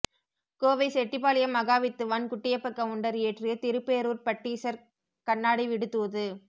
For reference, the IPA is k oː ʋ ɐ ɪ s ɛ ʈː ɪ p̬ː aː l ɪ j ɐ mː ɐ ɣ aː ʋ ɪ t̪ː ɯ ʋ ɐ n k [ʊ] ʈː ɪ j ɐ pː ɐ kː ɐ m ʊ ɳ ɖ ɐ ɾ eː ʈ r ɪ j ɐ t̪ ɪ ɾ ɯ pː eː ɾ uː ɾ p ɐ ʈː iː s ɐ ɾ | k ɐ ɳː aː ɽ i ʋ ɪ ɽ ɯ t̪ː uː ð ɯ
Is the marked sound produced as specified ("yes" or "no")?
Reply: yes